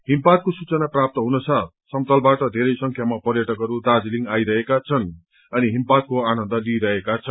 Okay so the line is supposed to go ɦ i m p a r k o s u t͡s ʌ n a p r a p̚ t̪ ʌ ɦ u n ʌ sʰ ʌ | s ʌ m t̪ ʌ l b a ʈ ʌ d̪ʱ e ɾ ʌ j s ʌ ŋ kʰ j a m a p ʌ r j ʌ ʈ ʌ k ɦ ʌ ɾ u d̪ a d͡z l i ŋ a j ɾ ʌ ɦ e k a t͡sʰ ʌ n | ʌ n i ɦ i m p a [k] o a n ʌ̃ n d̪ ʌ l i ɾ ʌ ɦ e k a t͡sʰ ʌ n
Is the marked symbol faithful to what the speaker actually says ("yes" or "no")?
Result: yes